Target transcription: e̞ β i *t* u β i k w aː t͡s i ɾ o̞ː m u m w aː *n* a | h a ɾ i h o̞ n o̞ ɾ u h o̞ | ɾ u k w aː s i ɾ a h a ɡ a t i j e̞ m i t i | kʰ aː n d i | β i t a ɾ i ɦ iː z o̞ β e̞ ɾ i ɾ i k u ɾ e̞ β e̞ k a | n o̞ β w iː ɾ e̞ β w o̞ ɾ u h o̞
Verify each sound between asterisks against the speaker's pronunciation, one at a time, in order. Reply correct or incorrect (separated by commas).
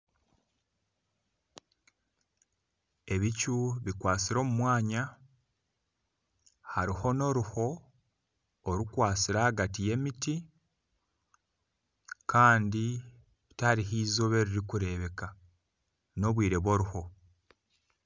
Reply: incorrect, incorrect